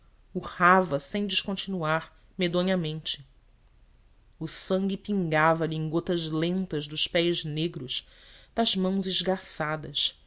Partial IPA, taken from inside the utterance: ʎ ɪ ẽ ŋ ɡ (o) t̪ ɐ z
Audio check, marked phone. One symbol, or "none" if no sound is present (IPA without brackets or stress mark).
o